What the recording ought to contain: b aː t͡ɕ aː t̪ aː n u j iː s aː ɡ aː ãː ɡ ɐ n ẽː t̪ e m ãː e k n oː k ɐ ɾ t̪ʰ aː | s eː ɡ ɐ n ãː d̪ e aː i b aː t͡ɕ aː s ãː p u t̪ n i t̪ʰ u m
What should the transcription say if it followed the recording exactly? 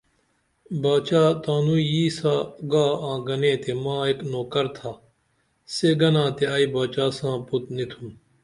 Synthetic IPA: b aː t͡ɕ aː t̪ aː n u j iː s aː ɡ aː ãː ɡ ɐ n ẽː t̪ e m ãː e k n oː k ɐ ɾ t̪ʰ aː | s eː ɡ ɐ n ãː t̪ e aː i b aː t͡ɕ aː s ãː p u t̪ n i t̪ʰ u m